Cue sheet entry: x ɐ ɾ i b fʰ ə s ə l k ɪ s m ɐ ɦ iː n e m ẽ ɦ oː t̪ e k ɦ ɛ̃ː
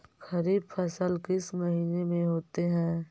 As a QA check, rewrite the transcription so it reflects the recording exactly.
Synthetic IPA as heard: x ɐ ɾ iː b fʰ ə s ə l k ɪ s m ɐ ɦ iː n e m ẽ ɦ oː t̪ e ɦ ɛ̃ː